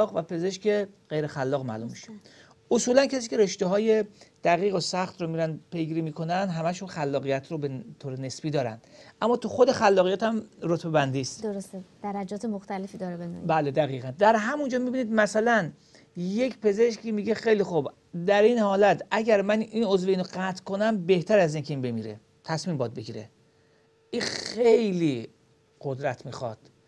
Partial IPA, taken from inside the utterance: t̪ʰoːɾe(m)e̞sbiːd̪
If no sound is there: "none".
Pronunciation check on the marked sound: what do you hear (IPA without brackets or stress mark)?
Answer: n